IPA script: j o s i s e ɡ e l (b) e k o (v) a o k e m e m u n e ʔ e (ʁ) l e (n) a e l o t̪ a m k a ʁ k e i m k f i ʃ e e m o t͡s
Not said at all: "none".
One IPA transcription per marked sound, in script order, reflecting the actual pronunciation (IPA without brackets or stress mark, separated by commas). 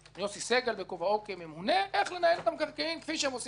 b, v, χ, n